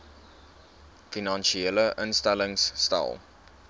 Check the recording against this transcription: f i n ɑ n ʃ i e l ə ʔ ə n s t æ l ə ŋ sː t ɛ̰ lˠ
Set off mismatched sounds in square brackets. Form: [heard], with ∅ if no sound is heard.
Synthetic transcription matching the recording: f i n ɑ n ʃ i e l ə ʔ ə n s t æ l ə ŋ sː t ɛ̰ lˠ